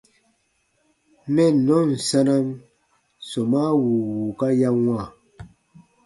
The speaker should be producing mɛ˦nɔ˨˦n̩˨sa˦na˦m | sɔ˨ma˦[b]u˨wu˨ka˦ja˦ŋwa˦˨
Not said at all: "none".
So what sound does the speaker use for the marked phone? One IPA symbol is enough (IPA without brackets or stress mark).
w